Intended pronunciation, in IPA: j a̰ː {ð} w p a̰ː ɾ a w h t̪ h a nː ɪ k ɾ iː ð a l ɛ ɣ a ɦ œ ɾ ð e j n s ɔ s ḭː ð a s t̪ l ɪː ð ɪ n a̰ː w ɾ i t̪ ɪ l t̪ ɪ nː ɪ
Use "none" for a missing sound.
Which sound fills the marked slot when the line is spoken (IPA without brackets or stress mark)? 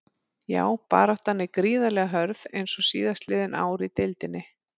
none